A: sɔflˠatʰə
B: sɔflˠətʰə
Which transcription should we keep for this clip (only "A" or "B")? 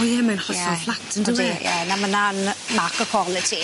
A